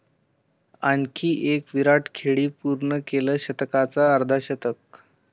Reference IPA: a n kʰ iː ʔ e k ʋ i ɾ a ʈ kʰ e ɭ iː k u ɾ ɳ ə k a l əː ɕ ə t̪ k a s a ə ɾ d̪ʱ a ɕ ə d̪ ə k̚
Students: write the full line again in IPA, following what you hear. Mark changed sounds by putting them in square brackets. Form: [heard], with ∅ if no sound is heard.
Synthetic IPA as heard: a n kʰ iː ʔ e k ʋ i ɾ a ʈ kʰ e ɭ iː [p] u ɾ ɳ ə k [e] l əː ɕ ə t̪ k a [t͡s] a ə ɾ d̪ʱ a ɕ ə [t̪] ə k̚